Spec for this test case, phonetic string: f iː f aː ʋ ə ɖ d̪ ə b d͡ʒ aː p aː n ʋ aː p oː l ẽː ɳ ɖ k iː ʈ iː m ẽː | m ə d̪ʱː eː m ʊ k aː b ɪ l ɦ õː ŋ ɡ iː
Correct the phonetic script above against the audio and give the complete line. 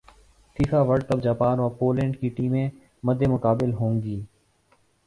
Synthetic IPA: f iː f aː ʋ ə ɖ t̪ ə b d͡ʒ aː p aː n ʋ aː p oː l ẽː ɳ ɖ k iː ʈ iː m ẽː | m ə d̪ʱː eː m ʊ k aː b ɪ l ɦ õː ŋ ɡ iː

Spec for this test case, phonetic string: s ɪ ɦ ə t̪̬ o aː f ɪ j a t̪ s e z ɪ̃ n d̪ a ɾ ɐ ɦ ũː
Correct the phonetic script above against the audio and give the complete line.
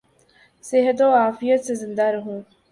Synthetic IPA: s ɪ ɦ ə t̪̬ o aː f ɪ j ə t̪ s e z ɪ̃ n d̪ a ɾ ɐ ɦ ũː

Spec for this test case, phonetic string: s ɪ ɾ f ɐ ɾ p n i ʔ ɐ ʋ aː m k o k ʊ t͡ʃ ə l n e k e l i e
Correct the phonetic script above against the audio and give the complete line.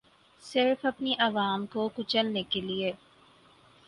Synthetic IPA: s ɪ ɾ f ɐ p n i ʔ ɐ ʋ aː m k o k ʊ t͡ʃ ə l n e k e l i e

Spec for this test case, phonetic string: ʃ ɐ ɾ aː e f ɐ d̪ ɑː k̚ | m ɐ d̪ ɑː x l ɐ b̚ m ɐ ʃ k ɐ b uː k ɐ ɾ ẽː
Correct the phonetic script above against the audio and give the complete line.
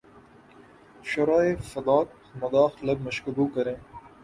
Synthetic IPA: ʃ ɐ ɾ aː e f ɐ d̪ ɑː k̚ | m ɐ d̪ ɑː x l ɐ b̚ m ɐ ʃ k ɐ b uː k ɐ ɾ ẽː

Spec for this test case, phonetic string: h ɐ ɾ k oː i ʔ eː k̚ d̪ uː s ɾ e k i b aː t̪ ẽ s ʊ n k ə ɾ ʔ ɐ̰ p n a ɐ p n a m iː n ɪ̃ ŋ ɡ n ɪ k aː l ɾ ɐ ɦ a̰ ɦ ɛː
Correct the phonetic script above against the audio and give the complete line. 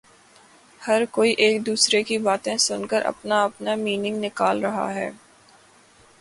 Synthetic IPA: h ɐ ɾ k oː i ʔ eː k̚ d̪ uː s ɾ e k i b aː t̪ ẽ s ʊ n k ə ɾ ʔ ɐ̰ p n a ɐ p n a m iː n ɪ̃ ŋ ɡ n ɪ k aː l ɾ ɐ ɦ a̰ ɦ ɛː

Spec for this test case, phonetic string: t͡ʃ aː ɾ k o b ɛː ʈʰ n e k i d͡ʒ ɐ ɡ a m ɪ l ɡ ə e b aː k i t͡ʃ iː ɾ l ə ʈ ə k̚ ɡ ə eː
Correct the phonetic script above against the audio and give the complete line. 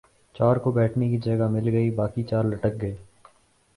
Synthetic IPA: t͡ʃ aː ɾ k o b ɛː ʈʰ n e k i d͡ʒ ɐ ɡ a m ɪ l ɡ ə i b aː k i t͡ʃ aː ɾ l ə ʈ ə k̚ ɡ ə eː

